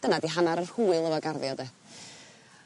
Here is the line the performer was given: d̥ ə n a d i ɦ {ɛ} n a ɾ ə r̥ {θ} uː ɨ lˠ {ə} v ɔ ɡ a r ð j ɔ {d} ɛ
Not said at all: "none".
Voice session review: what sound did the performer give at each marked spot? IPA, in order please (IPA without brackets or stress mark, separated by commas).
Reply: a, h, ə, d